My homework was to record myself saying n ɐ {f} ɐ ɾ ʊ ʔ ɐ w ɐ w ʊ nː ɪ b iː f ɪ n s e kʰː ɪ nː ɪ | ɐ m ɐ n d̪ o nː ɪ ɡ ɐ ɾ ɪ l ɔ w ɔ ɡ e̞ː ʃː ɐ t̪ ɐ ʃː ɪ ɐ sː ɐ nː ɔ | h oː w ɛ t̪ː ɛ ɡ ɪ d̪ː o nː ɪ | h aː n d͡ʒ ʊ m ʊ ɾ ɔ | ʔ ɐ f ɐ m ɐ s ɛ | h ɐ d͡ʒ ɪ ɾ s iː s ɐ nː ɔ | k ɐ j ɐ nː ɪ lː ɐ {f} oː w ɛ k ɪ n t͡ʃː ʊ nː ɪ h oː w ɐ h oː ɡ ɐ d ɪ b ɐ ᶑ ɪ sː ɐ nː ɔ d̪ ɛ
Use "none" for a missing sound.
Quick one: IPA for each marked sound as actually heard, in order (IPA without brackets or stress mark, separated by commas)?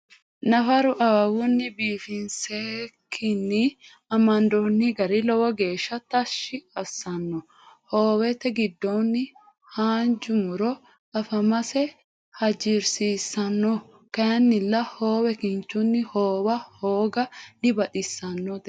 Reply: f, h